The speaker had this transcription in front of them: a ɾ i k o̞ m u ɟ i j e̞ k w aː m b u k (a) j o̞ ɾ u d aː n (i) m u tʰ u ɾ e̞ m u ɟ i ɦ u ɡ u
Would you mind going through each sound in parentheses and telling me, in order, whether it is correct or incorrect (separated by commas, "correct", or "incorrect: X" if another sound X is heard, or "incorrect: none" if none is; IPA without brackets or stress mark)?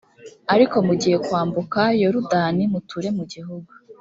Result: correct, correct